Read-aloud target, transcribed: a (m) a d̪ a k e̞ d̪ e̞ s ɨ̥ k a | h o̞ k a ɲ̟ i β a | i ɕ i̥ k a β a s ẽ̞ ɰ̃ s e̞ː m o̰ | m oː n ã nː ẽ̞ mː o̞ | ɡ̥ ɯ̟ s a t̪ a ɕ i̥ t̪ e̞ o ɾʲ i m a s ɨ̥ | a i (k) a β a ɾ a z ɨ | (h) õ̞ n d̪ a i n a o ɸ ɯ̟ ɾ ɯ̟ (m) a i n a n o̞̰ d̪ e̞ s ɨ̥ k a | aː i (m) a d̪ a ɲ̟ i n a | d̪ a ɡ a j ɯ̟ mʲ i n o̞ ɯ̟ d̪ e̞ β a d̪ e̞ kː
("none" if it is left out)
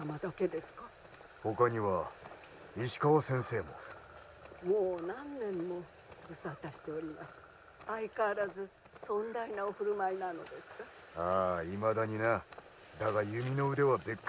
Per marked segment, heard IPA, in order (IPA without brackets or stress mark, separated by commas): m, k, s, m, m